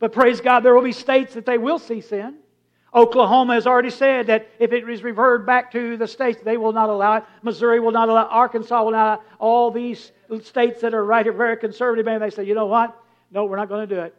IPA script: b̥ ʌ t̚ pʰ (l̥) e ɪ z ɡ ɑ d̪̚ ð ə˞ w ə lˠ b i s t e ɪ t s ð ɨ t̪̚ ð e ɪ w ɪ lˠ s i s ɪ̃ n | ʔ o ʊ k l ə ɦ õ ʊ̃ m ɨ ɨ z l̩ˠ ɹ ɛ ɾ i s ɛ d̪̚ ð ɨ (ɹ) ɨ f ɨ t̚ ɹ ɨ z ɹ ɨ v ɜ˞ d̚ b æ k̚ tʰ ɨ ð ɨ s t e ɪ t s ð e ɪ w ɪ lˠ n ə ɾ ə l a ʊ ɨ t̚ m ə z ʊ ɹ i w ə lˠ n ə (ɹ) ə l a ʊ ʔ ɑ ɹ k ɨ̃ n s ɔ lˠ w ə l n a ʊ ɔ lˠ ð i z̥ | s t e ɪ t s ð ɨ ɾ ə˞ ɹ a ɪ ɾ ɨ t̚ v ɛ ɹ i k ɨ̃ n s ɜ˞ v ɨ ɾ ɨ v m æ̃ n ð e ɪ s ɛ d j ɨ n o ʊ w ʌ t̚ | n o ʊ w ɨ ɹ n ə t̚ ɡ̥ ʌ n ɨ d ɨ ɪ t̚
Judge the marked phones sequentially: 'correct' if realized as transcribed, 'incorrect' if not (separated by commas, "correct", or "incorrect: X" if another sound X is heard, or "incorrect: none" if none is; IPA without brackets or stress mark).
incorrect: ɹ̥, incorrect: ɾ, incorrect: ɾ